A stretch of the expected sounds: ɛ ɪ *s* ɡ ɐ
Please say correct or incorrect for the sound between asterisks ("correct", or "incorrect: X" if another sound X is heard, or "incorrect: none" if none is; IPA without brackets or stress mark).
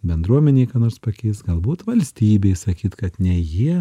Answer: correct